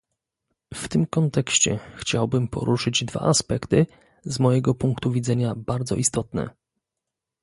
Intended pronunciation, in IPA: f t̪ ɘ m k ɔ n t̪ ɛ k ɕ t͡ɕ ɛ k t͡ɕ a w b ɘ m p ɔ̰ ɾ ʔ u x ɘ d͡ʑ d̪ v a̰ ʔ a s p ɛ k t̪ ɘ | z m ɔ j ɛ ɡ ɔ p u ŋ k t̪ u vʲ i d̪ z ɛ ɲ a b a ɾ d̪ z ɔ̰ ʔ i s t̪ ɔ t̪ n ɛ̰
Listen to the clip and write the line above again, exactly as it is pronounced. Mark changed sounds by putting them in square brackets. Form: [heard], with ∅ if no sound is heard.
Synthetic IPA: f t̪ ɘ m k ɔ n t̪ ɛ k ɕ t͡ɕ ɛ [x] t͡ɕ a w b ɘ m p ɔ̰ ɾ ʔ u [ʂ] ɘ d͡ʑ d̪ v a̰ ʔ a s p ɛ k t̪ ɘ | z m ɔ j ɛ ɡ ɔ p u ŋ k t̪ u vʲ i d̪ z ɛ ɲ a b a ɾ d̪ z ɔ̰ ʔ i s t̪ ɔ t̪ n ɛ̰